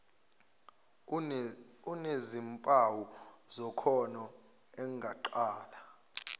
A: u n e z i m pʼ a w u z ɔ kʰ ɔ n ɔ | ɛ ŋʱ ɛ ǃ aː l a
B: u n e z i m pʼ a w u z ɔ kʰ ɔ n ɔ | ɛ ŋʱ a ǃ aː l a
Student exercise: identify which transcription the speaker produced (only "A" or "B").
B